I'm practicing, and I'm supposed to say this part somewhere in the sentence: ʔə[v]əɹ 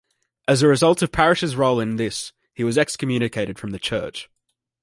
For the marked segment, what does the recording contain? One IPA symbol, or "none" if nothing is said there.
z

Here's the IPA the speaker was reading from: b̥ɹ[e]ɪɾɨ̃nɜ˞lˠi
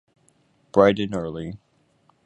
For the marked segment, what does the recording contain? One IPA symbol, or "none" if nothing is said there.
a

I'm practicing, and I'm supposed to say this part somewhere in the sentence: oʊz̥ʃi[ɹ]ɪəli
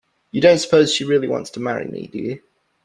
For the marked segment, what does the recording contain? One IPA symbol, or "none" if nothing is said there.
ɹ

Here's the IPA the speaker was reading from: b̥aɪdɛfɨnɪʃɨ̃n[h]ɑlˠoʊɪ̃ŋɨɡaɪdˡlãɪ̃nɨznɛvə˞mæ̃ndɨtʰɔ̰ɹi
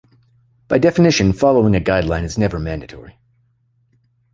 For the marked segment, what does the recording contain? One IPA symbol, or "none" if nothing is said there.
f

